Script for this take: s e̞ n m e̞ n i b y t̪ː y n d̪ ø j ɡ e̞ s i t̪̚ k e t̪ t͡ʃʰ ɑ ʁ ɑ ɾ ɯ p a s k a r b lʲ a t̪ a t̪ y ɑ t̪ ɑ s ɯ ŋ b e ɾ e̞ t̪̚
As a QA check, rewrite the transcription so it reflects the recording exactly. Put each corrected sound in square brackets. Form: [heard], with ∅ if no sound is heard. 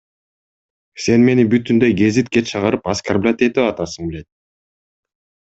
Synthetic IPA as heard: s e̞ n m e̞ n i b y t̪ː y n d̪ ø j ɡ e̞ [z] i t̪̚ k e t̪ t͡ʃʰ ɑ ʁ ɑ ɾ ɯ p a s k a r b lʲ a t̪ [e] t̪ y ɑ t̪ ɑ s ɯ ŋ b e [l] e̞ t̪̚